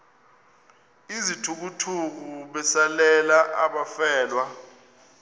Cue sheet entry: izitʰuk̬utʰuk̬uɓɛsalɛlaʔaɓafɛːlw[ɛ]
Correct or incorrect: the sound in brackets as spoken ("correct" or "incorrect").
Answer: incorrect